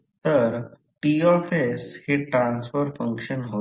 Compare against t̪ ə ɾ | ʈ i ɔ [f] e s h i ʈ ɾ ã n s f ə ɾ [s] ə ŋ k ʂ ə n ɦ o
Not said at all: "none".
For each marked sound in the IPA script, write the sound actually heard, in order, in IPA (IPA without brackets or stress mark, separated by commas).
f, f